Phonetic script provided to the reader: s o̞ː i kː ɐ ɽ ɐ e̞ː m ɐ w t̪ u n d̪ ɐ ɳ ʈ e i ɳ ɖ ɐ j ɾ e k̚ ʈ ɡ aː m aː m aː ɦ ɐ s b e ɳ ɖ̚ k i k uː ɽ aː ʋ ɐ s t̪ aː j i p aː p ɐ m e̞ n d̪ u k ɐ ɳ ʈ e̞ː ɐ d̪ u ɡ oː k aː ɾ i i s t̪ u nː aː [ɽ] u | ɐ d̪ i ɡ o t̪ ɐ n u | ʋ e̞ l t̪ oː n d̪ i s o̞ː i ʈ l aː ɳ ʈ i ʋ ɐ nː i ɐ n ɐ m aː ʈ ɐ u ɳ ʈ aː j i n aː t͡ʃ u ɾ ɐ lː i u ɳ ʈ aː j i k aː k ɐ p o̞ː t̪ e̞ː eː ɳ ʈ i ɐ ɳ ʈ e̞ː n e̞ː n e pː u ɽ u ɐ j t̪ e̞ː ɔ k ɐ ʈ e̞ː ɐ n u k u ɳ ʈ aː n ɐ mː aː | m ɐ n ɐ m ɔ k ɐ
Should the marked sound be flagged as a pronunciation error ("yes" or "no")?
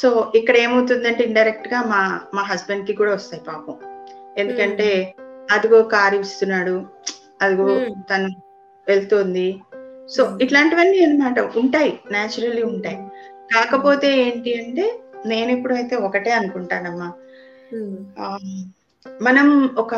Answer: no